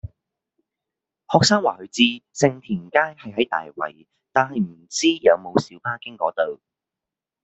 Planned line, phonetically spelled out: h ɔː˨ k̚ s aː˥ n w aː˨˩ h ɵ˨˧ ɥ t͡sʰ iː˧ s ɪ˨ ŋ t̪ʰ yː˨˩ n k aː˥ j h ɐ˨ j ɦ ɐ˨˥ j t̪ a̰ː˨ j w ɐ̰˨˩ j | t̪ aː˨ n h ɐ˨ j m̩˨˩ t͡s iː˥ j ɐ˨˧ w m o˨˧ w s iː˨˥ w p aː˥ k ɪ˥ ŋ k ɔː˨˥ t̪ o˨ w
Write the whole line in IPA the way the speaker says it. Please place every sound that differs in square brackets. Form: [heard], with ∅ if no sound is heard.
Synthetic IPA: h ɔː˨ k̚ s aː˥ [ŋ] w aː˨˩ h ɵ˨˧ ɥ [t͡s] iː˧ s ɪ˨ ŋ t̪ʰ [iː˨˩] n k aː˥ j h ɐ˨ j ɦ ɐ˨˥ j t̪ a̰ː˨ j w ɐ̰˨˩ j | t̪ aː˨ n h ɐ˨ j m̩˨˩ t͡s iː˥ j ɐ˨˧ w m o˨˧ w s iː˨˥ w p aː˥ k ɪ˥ ŋ k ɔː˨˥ t̪ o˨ w